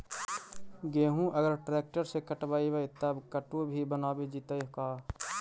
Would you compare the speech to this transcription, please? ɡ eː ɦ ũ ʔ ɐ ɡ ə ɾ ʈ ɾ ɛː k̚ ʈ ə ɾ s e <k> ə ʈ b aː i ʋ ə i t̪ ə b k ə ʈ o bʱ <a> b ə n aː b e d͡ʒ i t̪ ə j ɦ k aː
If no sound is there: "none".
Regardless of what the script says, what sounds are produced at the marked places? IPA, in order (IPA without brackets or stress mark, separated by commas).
k, i